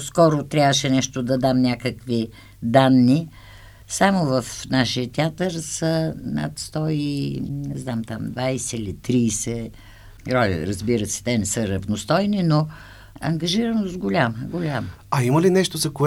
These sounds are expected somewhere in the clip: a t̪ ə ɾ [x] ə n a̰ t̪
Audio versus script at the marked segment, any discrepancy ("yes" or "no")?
yes